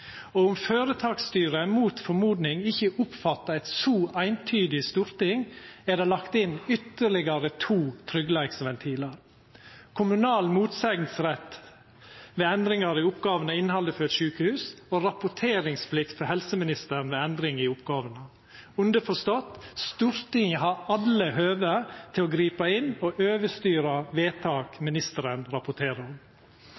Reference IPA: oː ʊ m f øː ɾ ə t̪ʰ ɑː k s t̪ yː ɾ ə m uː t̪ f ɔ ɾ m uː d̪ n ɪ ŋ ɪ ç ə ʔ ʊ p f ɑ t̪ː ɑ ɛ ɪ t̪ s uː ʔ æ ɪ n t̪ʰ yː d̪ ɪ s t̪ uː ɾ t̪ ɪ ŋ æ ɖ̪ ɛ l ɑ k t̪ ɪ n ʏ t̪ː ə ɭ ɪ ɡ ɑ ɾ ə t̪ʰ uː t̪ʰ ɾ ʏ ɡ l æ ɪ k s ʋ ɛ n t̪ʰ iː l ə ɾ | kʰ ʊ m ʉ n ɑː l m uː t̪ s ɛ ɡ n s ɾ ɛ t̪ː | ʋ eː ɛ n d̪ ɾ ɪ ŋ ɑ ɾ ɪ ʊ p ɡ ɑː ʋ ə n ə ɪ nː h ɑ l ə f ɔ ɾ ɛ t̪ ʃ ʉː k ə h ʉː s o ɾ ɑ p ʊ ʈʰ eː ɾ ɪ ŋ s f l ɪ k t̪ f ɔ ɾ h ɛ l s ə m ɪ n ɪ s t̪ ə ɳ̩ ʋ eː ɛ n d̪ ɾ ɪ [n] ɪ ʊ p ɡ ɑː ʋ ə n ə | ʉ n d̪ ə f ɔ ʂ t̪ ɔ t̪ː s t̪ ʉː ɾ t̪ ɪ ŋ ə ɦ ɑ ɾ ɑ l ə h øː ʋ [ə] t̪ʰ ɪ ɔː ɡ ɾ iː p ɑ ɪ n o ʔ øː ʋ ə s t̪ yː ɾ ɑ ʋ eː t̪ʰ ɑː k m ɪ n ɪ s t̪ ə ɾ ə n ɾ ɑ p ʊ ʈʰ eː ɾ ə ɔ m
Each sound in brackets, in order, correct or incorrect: incorrect: ŋ, correct

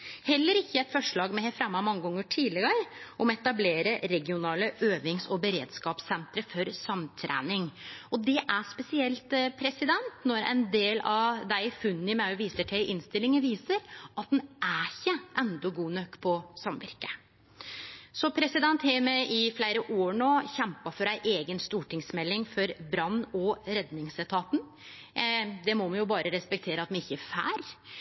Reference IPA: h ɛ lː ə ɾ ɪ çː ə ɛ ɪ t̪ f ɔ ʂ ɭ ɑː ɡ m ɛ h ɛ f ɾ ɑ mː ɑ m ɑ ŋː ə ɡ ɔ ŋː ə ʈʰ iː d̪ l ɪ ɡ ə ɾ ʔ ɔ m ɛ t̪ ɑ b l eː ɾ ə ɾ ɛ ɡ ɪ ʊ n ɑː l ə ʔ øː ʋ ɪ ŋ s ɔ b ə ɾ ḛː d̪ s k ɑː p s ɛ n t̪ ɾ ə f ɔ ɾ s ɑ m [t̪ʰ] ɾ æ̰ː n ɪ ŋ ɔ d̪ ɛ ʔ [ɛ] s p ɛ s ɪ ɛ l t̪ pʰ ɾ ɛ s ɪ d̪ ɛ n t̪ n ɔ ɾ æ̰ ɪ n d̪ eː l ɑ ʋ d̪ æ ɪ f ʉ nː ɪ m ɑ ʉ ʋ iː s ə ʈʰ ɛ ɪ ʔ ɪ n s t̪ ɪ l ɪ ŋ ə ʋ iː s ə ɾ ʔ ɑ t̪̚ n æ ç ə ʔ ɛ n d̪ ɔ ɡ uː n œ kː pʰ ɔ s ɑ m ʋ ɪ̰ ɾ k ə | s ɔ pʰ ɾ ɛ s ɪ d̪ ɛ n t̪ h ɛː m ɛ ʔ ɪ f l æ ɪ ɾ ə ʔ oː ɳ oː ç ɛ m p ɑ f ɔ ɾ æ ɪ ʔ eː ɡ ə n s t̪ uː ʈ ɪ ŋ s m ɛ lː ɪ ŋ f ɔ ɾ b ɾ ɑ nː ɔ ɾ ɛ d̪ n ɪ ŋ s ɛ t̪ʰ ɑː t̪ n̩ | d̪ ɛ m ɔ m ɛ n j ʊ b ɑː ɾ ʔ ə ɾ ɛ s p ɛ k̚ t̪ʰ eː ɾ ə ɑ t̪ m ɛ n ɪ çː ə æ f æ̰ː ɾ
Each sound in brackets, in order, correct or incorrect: correct, incorrect: æ

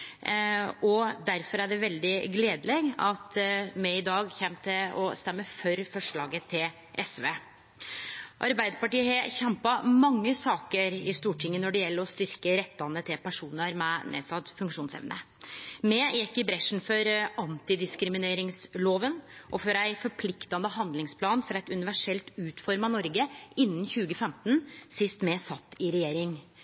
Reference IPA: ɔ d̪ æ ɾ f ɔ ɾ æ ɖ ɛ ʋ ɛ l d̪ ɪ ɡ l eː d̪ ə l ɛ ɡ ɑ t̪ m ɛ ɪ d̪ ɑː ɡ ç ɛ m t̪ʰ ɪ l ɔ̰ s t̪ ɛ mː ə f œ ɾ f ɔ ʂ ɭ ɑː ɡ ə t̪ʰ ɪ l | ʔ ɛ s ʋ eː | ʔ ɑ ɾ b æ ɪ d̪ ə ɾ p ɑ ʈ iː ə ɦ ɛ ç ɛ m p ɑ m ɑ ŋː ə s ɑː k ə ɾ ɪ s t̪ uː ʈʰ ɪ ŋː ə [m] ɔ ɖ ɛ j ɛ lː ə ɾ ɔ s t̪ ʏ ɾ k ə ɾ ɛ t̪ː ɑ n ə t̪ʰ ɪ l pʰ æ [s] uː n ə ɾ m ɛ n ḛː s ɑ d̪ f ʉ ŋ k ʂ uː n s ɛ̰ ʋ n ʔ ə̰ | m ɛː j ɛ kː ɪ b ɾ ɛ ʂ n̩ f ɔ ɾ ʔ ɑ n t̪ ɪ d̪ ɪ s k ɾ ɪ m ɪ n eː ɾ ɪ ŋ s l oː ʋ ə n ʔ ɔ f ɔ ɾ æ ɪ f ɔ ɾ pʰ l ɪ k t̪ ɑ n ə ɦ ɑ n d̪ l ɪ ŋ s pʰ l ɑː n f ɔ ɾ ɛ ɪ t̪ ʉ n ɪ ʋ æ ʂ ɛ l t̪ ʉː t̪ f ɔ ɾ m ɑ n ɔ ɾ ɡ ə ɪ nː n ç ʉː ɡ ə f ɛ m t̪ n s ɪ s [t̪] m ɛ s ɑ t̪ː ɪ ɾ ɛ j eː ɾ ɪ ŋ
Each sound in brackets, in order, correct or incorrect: incorrect: n, incorrect: ʂ, correct

